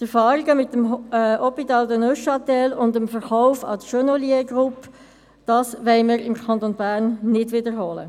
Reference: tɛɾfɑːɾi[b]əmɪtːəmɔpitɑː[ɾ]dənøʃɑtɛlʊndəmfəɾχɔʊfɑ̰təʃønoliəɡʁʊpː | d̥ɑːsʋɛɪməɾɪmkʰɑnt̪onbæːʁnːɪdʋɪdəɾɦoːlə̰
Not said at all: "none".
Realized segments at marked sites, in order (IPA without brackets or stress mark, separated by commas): ɡ, l